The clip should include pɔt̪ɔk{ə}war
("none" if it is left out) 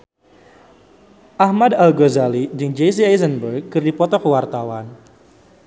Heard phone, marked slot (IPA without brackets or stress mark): ə